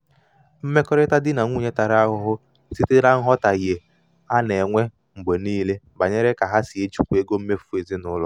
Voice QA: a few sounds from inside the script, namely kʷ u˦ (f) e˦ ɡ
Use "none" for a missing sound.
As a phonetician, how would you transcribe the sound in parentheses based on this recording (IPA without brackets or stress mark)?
none